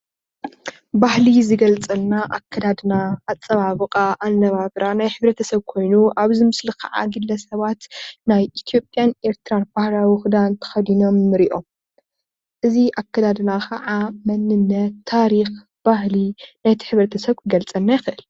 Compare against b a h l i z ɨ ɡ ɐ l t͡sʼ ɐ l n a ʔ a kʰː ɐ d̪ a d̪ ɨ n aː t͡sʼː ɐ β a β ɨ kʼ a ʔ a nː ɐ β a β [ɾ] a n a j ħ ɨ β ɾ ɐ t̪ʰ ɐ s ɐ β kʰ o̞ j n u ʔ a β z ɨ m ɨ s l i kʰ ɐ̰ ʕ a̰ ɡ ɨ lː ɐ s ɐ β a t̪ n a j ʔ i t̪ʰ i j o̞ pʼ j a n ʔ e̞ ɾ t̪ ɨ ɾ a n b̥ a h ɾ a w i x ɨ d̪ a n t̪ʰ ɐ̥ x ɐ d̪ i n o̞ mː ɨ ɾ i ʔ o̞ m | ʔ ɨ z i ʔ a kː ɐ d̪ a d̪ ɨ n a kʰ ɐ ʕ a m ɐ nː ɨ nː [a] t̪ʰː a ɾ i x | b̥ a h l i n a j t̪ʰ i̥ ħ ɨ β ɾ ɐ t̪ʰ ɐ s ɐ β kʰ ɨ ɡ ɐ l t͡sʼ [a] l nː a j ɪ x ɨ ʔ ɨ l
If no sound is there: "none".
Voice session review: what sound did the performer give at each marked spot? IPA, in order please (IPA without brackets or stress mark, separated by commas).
ɾ, ɐ, ɐ